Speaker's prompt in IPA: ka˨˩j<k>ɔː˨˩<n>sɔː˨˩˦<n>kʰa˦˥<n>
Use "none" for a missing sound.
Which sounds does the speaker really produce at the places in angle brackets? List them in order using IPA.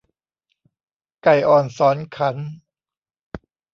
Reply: ʔ, n, n, n

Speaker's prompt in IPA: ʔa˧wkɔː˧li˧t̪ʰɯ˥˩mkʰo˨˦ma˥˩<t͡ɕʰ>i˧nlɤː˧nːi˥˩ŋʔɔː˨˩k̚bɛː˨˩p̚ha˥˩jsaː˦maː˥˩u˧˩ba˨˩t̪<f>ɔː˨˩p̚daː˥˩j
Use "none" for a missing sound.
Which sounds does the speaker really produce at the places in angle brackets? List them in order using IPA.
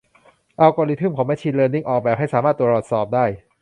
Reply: t͡ɕʰ, s

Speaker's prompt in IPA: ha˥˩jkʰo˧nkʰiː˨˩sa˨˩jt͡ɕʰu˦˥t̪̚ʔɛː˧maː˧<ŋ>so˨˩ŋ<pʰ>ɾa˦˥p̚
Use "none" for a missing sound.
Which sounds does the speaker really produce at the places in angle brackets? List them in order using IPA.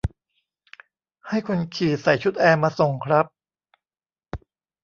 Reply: none, kʰ

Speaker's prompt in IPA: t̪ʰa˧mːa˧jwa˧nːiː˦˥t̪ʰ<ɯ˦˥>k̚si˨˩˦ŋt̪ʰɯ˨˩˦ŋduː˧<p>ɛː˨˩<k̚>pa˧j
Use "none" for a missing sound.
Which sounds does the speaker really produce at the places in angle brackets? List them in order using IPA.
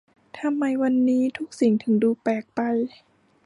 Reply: u˦˥, p, k̚

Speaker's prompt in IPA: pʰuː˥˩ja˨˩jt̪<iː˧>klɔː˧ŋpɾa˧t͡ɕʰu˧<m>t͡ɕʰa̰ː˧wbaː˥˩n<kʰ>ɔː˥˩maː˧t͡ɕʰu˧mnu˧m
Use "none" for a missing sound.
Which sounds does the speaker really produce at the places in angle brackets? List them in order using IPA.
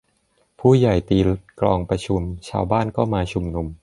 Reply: iː˧, m, k

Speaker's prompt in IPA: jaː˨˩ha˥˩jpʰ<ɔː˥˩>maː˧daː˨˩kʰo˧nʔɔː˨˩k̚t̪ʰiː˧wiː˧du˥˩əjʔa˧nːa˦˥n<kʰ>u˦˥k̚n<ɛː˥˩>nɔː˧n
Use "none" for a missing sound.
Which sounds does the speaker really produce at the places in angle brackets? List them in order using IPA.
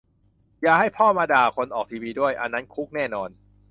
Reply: ɔː˥˩, kʰ, ɛː˥˩

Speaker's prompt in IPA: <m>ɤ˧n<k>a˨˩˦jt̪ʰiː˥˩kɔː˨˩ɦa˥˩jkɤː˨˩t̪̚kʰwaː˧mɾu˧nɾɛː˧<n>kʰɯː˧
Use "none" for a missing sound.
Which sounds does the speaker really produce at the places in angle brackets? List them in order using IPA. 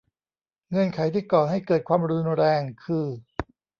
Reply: ŋ, kʰ, ŋ

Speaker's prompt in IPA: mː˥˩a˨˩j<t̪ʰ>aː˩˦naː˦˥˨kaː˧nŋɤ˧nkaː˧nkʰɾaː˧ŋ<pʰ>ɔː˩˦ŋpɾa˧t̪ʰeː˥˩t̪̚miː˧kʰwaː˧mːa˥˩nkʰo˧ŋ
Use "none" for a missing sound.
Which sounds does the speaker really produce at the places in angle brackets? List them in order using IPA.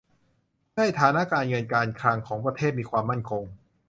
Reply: t̪ʰ, kʰ

